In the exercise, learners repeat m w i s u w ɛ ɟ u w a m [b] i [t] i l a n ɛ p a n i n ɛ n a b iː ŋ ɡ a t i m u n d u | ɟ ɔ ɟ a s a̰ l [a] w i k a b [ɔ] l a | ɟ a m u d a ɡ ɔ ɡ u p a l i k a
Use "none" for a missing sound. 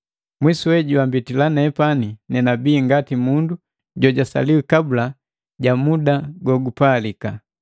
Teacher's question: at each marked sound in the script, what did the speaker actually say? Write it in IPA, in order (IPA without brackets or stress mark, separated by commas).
b, t, i, u